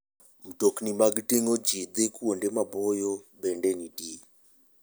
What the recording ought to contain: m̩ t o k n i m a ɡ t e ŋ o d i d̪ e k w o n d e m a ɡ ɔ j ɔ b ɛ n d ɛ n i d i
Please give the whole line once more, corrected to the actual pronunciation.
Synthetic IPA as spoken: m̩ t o k n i m a ɡ t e ŋ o d͡ʒ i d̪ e k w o n d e m a b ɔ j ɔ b ɛ n d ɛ n i d i